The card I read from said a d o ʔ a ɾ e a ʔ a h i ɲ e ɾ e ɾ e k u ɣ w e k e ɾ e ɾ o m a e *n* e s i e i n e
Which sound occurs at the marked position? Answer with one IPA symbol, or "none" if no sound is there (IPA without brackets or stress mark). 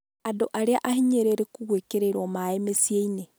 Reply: m